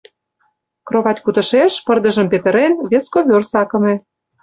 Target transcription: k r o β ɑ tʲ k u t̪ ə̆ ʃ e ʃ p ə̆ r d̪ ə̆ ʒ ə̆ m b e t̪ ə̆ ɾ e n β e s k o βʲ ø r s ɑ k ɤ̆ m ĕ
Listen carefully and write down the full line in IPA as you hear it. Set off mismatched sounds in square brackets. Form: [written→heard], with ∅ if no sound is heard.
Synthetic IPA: k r o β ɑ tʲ k u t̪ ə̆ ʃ e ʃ p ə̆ r d̪ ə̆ ʒ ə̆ m [b→p] e t̪ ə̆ ɾ e n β e s k o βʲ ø r s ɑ k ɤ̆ m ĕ